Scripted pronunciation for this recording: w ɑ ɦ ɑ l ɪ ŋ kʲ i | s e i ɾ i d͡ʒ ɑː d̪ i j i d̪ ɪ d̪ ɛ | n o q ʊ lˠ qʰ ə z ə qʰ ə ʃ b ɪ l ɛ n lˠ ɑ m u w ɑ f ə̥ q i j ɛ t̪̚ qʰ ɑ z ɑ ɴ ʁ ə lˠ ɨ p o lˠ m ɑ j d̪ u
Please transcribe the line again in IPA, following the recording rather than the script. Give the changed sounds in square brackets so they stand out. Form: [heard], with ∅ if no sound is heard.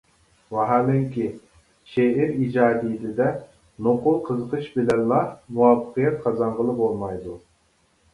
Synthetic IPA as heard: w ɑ ɦ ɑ l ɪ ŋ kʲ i | [ʃ] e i ɾ i d͡ʒ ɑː d̪ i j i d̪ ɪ d̪ ɛ | n o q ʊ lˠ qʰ ə z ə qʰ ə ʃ b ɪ l ɛ n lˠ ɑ m u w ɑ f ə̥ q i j ɛ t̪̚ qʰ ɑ z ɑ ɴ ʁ ə lˠ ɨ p o lˠ m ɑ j d̪ u